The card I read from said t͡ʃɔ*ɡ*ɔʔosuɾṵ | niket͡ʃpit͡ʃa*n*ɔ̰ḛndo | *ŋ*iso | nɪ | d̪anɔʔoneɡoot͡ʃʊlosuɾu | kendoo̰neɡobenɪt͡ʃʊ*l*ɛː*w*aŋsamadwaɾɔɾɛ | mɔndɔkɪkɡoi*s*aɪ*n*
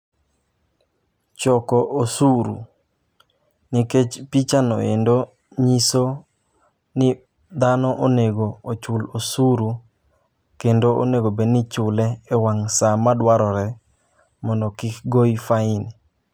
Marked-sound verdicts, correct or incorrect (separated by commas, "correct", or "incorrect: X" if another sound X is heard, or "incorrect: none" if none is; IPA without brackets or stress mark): incorrect: k, correct, incorrect: ɲ, correct, correct, incorrect: f, correct